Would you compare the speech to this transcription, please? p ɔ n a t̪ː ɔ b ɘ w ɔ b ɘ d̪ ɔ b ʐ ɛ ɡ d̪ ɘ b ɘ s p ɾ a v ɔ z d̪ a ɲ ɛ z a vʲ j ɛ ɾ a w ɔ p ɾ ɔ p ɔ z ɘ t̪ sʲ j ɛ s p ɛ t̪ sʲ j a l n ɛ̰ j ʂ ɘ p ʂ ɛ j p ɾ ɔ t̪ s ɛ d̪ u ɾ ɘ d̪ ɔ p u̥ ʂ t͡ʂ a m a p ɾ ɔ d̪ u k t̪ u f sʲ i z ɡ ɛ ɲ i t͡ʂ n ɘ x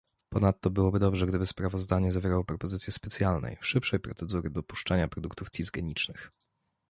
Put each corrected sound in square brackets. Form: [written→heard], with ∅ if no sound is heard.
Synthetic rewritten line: p ɔ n a t̪ː ɔ b ɘ w ɔ b ɘ d̪ ɔ b ʐ ɛ ɡ d̪ ɘ b ɘ s p ɾ a v ɔ z d̪ a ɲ ɛ z a vʲ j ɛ ɾ a w ɔ p ɾ ɔ p ɔ z ɘ t̪ sʲ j ɛ s p ɛ t̪ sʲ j a l n ɛ̰ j ʂ ɘ p ʂ ɛ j p ɾ ɔ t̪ s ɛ d̪ u ɾ ɘ d̪ ɔ p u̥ ʂ t͡ʂ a [m→ɲ] a p ɾ ɔ d̪ u k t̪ u f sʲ i z ɡ ɛ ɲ i t͡ʂ n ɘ x